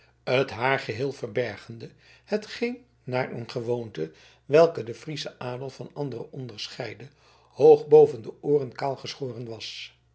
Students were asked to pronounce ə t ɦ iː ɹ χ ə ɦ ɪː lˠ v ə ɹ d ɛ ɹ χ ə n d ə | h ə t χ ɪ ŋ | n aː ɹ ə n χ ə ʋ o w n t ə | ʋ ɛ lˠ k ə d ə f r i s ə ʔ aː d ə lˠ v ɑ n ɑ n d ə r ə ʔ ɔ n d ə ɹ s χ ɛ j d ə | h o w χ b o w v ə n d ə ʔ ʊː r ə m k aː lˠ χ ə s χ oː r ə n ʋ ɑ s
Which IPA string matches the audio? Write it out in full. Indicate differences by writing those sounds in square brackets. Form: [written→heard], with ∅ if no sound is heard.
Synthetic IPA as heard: ə t ɦ [iː→aː] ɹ χ ə ɦ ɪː lˠ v ə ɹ [d→b] ɛ ɹ χ ə n d ə | h ə t χ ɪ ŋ | n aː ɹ ə n χ ə ʋ o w n t ə | ʋ ɛ lˠ k ə d ə f r i s ə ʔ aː d ə lˠ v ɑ n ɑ n d ə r ə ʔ ɔ n d ə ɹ s χ ɛ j d ə | h o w χ b o w v ə n d ə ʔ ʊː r ə [m→n] k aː lˠ χ ə s χ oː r ə n ʋ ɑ s